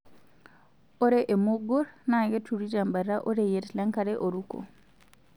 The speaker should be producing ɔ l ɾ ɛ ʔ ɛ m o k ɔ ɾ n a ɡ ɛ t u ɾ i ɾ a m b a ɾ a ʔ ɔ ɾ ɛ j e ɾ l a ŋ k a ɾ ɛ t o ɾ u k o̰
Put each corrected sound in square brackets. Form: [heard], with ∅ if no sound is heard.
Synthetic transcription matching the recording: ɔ [∅] ɾ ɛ ʔ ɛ m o [ɡ] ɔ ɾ n a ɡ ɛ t u ɾ i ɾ a m b a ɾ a ʔ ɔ ɾ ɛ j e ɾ l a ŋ k a ɾ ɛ [ʔ] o ɾ u k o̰